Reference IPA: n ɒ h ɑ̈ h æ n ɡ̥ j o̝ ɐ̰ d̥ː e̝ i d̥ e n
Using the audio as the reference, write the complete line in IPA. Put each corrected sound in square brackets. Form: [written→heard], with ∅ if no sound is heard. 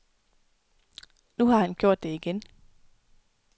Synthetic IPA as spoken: n [ɒ→u] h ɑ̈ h æ n ɡ̥ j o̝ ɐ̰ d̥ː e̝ i [d̥→ɡ̥] e n